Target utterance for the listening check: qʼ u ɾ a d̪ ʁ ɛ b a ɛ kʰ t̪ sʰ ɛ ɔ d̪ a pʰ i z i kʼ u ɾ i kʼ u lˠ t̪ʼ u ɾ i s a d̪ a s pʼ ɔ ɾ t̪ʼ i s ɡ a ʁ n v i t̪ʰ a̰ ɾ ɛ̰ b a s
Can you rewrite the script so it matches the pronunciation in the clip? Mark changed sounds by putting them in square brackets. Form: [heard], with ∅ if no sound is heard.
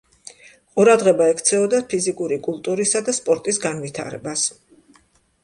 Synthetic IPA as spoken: qʼ u ɾ a d̪ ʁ ɛ b a ɛ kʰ t̪ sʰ ɛ ɔ d̪ a pʰ i z i kʼ u ɾ i kʼ u lˠ t̪ʼ u ɾ i s a d̪ a s pʼ ɔ ɾ t̪ʼ i s ɡ a [∅] n v i t̪ʰ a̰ ɾ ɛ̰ b a s